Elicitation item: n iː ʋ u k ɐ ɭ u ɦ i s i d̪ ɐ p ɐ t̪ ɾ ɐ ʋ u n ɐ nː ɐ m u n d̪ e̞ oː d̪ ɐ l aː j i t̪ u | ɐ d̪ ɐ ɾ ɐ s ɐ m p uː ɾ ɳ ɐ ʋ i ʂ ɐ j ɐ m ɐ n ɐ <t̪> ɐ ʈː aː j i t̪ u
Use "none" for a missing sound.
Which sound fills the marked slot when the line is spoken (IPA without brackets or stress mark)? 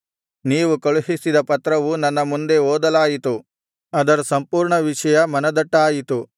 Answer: d̪